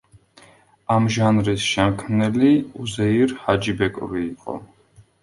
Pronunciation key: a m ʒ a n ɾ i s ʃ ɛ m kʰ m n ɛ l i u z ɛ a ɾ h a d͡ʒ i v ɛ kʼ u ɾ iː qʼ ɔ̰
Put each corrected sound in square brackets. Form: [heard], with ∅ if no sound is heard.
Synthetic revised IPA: a m ʒ a n ɾ i s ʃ ɛ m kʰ m n ɛ l i u z ɛ [i] ɾ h a d͡ʒ i [b] ɛ kʼ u ɾ iː qʼ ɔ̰